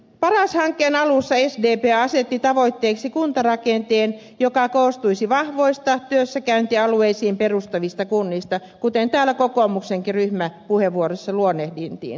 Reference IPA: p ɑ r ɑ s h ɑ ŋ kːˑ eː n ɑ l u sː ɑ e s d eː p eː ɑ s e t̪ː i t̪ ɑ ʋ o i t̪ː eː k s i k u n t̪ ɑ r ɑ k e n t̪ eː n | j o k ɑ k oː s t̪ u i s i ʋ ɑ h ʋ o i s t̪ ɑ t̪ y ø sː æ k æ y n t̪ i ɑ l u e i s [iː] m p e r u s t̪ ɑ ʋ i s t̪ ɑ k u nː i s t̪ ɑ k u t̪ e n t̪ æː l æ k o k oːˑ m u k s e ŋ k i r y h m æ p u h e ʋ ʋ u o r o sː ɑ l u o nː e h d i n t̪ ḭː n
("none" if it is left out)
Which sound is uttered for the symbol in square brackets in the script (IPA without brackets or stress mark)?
iː